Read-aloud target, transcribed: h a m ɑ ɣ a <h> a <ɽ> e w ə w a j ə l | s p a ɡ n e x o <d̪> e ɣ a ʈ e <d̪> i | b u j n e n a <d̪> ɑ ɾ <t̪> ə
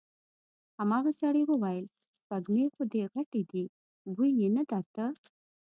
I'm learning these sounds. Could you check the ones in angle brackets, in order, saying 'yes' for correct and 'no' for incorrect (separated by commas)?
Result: no, yes, yes, yes, yes, yes